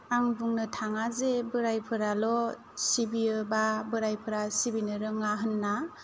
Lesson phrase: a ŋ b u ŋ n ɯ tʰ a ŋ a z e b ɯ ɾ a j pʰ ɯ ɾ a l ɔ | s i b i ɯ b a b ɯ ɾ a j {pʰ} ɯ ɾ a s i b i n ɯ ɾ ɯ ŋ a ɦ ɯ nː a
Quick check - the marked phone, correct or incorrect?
correct